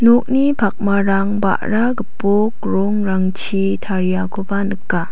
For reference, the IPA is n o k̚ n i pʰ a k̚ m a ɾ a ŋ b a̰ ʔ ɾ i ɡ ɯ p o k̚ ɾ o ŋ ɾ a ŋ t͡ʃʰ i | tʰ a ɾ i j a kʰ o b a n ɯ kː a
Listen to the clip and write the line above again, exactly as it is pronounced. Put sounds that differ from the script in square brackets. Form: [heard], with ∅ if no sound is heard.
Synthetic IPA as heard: n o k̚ n i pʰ a k̚ m a ɾ a ŋ b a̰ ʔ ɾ [a] ɡ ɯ p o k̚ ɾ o ŋ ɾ a ŋ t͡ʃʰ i | tʰ a ɾ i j a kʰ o b a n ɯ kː a